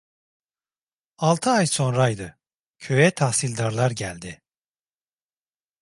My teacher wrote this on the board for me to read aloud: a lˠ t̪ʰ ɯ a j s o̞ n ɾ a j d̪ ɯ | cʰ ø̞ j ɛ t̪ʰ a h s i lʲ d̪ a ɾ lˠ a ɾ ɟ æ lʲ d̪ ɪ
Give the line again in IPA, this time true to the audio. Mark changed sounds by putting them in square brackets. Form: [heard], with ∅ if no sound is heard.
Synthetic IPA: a lˠ t̪ʰ ɯ a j s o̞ n ɾ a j d̪ ɯ | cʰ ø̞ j ɛ t̪ʰ a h s i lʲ d̪ a ɾ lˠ a ɾ ɟ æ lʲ d̪ ɪ